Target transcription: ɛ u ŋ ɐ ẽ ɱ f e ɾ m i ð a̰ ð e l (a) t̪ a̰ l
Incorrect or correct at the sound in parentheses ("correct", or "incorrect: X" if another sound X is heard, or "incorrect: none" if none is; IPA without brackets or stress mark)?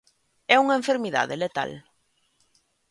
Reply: incorrect: e